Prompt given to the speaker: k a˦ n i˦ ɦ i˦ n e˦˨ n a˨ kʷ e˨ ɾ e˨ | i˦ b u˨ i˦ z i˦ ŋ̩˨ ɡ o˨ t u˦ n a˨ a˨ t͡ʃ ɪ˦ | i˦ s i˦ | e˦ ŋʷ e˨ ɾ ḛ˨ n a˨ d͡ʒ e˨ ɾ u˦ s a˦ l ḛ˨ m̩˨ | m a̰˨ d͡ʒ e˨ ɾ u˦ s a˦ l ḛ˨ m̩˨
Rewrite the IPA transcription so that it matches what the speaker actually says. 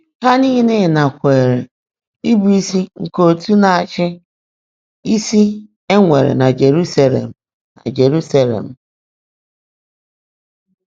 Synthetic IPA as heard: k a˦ n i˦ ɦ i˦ n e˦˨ n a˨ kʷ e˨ ɾ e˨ | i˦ b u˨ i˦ s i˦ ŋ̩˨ k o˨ t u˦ n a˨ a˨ t͡ʃ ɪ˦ | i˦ s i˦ | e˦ ŋʷ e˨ ɾ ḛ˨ n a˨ d͡ʒ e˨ ɾ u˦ s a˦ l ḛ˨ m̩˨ | n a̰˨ d͡ʒ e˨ ɾ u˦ s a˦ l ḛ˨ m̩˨

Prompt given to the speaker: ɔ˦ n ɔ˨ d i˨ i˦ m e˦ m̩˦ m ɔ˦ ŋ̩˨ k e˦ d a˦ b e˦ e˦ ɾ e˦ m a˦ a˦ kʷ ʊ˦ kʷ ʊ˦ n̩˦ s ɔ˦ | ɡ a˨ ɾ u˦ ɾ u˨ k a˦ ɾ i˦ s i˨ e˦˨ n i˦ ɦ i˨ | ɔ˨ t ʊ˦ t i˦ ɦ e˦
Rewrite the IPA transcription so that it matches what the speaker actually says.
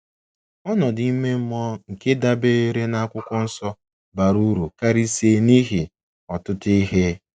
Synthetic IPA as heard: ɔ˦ n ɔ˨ d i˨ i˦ m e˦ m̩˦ m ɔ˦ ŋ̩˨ k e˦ d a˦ b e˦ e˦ ɾ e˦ n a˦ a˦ kʷ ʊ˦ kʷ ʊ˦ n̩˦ s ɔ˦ | b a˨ ɾ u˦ ɾ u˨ k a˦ ɾ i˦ s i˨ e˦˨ n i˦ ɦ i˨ | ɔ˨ t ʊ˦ t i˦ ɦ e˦

